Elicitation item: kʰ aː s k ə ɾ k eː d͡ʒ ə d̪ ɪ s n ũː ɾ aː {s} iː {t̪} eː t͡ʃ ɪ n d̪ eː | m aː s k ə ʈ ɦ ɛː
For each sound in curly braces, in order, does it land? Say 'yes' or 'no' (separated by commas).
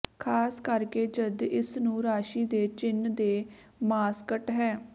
no, no